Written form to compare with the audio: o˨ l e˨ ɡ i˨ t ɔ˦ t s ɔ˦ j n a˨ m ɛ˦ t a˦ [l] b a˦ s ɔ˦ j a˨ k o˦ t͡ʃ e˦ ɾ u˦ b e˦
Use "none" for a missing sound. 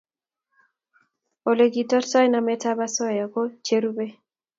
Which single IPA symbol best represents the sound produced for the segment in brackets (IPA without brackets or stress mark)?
none